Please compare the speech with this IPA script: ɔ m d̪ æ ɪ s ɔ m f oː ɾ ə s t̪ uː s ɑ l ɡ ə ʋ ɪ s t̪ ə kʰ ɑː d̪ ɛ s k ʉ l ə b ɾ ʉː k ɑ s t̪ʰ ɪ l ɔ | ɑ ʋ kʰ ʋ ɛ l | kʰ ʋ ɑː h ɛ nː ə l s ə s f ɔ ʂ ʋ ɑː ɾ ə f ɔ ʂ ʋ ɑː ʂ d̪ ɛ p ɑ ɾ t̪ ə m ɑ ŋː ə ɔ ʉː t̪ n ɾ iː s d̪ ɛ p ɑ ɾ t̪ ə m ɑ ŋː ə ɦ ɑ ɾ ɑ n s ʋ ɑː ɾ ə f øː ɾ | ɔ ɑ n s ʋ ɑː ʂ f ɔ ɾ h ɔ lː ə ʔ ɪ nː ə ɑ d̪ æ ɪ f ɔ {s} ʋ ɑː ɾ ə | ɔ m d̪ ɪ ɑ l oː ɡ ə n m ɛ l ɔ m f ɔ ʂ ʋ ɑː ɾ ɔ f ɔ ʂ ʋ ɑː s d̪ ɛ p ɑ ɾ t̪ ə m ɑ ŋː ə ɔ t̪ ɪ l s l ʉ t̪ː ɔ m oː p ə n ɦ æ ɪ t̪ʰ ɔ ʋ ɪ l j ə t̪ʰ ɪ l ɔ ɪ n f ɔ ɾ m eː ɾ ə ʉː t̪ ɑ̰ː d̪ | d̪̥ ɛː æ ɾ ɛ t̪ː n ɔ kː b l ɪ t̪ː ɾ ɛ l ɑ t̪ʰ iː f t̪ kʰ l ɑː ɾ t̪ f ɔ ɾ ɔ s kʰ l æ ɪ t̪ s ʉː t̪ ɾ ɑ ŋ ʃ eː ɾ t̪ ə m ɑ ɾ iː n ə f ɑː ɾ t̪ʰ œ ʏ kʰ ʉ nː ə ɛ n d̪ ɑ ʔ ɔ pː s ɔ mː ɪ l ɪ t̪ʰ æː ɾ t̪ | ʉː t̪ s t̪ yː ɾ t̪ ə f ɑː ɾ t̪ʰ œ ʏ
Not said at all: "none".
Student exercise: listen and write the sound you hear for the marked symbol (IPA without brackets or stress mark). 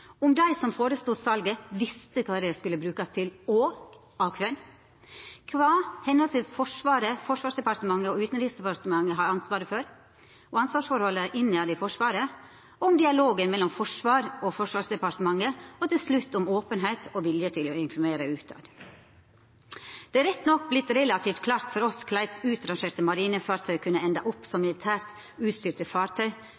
ʂ